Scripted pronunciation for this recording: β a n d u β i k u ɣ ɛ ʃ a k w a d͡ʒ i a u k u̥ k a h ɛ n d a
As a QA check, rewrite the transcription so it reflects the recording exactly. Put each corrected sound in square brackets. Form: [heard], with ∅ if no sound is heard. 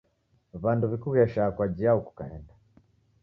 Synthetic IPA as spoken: β a n d u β i k u ɣ ɛ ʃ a k w a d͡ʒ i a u k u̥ k a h ɛ n d a